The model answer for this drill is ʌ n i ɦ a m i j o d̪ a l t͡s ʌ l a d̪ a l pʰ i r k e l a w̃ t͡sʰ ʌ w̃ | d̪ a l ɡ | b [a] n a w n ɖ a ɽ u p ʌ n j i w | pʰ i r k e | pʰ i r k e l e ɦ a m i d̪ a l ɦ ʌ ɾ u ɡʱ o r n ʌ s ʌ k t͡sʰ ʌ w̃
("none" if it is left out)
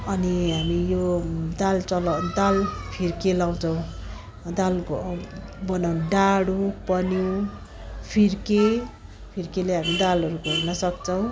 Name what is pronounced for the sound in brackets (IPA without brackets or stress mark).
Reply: ʌ